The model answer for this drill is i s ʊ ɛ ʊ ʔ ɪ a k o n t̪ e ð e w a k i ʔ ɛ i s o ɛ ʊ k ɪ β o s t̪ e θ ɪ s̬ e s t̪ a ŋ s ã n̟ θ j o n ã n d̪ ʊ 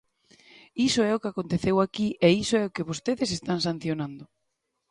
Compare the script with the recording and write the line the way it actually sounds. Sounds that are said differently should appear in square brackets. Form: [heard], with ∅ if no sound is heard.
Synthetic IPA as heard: i s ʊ ɛ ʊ [k] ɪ a k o n t̪ e [θ] e w a k i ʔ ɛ i s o ɛ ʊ k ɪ β o s t̪ e [ð] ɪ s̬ e s t̪ a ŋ s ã n̟ θ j o n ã n d̪ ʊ